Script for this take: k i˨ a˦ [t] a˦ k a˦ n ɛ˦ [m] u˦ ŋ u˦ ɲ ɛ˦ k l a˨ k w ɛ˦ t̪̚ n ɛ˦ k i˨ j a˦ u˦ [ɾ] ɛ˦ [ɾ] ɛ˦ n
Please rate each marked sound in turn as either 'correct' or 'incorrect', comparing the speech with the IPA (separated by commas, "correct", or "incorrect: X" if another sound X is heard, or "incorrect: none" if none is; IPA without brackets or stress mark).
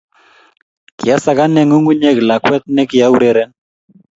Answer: incorrect: s, incorrect: ŋ, correct, correct